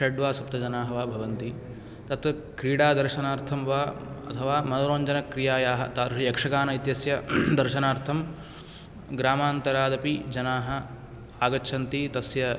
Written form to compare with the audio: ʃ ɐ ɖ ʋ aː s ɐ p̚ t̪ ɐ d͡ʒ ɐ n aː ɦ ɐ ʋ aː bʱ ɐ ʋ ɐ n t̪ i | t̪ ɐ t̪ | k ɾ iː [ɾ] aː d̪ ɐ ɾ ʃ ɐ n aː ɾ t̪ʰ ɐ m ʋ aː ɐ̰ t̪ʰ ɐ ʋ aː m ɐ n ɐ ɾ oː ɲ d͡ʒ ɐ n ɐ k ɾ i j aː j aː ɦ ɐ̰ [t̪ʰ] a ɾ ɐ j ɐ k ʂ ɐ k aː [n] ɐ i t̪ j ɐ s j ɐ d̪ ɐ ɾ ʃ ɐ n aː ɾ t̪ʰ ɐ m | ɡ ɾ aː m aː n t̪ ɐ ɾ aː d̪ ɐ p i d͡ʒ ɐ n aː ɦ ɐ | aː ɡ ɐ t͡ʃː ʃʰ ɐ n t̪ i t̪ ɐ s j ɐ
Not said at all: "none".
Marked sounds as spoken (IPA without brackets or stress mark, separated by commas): ɽ, t̪, n